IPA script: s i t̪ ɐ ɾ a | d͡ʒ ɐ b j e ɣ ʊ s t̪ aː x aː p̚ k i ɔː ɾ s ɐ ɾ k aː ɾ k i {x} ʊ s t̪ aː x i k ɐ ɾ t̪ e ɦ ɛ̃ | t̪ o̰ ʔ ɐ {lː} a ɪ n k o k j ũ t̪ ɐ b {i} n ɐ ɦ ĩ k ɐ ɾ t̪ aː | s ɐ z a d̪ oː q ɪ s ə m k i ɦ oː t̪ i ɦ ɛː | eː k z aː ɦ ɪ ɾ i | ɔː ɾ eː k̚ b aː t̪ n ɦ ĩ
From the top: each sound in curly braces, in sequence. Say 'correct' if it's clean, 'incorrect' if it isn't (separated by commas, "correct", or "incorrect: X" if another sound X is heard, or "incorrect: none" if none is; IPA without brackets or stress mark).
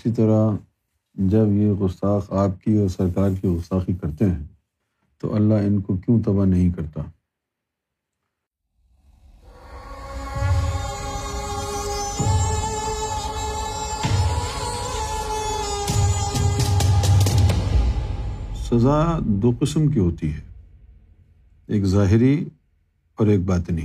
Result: incorrect: ɣ, correct, incorrect: a